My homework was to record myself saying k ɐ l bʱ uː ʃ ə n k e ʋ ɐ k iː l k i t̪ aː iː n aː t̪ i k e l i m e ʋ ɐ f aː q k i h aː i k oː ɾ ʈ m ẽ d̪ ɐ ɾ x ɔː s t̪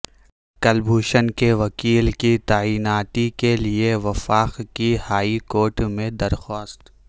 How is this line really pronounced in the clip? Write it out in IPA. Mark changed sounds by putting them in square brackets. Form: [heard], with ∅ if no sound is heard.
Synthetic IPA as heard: k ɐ l bʱ uː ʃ ə n k e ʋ ɐ k iː l k i t̪ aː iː n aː t̪ i k e l i [∅] e ʋ ɐ f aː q k i h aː i k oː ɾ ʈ m ẽ d̪ ɐ ɾ x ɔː s t̪